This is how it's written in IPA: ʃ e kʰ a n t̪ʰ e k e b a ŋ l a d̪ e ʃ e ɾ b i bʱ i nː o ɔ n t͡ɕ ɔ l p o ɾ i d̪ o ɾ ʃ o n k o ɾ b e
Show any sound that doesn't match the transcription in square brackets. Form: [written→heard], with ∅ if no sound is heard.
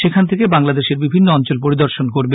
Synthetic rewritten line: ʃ e kʰ a n t̪ʰ e k e b a ŋ l a d̪ e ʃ e ɾ b i bʱ i nː o ɔ n t͡ɕ [ɔ→o] l p o ɾ i d̪ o ɾ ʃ o n k o ɾ b e